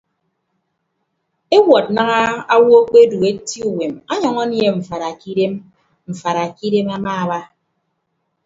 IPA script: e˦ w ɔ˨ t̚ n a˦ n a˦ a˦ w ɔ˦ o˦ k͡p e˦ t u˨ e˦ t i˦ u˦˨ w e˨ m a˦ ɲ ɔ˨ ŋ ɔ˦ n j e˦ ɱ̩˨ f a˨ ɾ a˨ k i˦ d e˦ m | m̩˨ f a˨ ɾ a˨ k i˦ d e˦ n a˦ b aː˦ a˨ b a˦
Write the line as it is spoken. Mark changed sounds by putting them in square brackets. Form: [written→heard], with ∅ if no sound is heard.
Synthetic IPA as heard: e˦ w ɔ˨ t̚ n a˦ [n→ŋ] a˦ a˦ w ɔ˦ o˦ k͡p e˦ [t→d] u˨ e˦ t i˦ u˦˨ w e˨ m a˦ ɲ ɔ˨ ŋ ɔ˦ n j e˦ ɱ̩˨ f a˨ ɾ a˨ k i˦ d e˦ m | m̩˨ f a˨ ɾ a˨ k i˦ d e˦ [n→m] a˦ [b→m] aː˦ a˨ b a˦